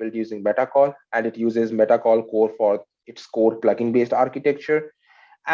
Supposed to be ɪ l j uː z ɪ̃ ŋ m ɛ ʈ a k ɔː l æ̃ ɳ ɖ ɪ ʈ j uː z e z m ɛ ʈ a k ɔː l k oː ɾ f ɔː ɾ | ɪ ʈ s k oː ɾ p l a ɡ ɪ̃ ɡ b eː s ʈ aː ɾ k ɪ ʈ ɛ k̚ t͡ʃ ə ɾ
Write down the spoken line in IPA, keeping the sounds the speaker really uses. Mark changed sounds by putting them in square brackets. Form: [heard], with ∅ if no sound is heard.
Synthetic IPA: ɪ l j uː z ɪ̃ ŋ m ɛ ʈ a k ɔː l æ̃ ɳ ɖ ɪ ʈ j uː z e z m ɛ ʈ a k ɔː l k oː ɾ f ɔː ɾ | ɪ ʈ s k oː ɾ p l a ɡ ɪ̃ [ŋ] b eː s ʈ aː ɾ k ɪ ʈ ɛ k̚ t͡ʃ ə ɾ